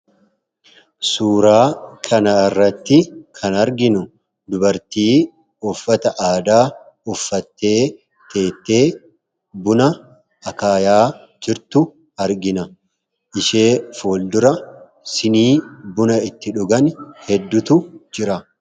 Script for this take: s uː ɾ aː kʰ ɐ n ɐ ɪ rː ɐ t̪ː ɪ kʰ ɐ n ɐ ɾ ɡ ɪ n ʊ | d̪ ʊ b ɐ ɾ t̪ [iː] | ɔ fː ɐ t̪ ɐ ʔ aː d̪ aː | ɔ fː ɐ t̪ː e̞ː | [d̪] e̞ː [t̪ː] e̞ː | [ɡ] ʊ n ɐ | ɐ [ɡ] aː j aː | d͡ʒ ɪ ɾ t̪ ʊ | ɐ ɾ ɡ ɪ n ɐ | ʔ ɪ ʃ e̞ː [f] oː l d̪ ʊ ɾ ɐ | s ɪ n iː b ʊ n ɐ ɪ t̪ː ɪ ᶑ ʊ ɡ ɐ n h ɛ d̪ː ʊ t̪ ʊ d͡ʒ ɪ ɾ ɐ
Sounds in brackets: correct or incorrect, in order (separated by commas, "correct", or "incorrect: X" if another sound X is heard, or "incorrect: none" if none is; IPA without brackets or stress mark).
correct, incorrect: t̪, correct, incorrect: b, incorrect: k, correct